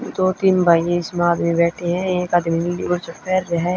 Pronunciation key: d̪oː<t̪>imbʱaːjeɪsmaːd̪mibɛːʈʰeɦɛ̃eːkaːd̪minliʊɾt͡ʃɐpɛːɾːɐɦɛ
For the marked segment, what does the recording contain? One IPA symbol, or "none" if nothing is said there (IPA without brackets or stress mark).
t̪